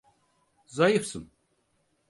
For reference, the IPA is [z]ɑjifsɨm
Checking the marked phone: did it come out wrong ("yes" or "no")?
no